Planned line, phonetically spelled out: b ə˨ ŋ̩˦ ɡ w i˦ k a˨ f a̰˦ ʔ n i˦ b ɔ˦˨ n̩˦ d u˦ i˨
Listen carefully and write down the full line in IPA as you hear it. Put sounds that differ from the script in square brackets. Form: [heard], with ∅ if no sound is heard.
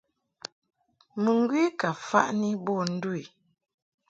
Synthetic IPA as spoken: [m] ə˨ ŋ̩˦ ɡ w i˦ k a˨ f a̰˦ ʔ n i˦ b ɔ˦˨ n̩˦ d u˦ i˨

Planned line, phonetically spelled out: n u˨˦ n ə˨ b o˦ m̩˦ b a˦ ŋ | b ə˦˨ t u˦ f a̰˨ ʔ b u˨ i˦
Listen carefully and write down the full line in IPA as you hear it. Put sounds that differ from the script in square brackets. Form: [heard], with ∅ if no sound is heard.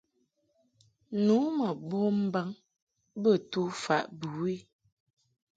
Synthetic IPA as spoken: n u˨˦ [m] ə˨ b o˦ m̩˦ b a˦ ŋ | b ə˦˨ t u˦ f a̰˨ ʔ b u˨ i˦

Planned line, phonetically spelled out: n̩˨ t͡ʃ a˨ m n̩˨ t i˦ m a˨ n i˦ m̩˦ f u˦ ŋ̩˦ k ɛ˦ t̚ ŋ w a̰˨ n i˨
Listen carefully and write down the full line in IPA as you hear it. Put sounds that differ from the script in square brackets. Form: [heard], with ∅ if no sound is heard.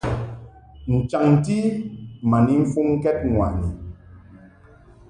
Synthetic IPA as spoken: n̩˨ t͡ʃ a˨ [ŋ] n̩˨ t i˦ m a˨ n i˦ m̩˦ f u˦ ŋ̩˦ k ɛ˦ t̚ ŋ w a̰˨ n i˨

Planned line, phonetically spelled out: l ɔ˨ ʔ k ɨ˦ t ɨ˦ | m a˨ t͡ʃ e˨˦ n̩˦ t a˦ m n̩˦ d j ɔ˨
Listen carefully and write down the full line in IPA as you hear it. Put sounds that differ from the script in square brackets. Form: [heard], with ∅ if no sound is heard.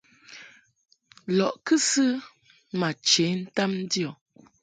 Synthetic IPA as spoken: l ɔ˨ ʔ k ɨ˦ [s] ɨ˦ | m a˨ t͡ʃ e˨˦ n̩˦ t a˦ m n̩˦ d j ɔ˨

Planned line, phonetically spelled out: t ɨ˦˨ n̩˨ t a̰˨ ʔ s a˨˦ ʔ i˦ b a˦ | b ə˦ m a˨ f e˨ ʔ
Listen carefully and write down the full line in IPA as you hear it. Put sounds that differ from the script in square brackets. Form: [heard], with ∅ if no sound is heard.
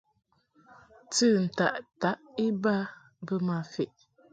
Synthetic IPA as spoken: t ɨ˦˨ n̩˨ t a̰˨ ʔ [t] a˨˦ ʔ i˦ b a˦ | b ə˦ m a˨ f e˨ ʔ

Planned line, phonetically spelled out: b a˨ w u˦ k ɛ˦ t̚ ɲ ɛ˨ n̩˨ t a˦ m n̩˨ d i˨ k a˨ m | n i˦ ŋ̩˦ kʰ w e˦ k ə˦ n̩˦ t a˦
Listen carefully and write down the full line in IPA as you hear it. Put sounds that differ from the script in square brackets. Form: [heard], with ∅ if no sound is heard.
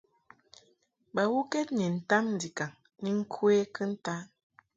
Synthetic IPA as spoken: b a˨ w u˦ k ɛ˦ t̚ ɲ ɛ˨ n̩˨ t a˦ m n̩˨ d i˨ k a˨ [ŋ] | n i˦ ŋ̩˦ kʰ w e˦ k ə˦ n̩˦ t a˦

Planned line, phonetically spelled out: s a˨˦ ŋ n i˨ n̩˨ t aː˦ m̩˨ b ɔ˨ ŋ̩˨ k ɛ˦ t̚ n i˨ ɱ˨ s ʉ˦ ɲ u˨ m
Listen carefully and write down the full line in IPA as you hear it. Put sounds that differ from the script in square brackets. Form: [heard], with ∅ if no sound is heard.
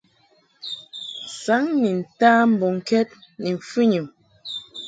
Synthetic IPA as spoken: s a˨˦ ŋ n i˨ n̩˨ t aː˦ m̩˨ b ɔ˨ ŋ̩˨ k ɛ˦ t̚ n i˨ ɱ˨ [f] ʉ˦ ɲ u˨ m

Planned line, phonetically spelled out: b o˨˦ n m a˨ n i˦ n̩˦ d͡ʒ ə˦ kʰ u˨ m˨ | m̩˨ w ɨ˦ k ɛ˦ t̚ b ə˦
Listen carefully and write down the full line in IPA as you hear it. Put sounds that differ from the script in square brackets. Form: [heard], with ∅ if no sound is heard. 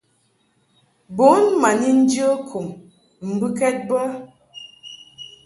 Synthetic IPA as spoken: b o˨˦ n m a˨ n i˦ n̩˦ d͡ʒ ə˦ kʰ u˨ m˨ | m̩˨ [b] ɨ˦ k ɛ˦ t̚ b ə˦

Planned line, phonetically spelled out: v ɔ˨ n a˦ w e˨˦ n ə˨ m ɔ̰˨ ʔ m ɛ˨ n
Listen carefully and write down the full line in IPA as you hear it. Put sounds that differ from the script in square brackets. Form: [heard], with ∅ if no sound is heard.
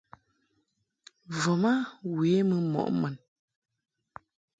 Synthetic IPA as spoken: v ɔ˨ [m] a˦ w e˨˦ [m] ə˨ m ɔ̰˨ ʔ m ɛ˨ n

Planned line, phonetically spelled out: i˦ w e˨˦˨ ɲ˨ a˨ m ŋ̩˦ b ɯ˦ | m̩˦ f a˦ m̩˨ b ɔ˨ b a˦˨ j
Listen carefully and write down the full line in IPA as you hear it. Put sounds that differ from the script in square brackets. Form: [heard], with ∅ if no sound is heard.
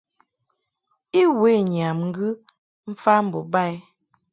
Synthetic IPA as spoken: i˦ w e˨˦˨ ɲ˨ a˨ m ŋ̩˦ [ɡ] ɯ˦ | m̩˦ f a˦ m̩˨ b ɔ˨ b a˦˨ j

